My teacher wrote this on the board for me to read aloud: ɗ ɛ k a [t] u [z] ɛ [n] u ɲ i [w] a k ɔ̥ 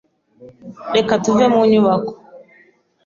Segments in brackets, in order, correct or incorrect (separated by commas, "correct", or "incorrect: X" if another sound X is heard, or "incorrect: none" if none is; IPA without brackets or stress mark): correct, incorrect: v, incorrect: m, correct